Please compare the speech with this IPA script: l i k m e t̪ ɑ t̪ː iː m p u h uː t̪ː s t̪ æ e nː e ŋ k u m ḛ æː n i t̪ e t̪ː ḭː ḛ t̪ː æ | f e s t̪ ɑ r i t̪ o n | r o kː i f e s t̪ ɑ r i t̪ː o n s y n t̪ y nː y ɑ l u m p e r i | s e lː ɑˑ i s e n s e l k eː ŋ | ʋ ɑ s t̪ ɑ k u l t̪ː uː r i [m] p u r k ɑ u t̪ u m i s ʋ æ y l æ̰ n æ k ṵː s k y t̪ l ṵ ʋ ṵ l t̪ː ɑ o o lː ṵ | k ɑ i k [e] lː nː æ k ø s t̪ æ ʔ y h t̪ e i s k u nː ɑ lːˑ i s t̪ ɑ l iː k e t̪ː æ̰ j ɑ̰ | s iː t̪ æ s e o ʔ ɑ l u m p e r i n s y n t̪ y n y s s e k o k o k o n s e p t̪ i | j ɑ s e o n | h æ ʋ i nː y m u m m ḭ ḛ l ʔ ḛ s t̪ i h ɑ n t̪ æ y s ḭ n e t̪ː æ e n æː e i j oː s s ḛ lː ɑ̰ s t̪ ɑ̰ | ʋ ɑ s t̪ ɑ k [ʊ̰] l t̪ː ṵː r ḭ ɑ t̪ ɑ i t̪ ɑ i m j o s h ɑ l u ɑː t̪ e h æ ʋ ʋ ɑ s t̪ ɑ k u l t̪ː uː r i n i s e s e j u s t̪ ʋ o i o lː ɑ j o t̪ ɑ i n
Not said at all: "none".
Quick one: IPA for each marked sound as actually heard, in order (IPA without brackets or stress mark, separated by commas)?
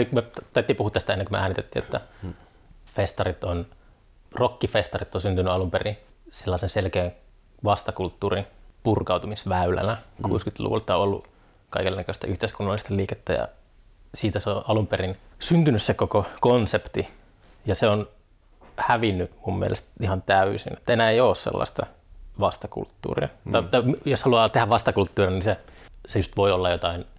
n, e, ṵ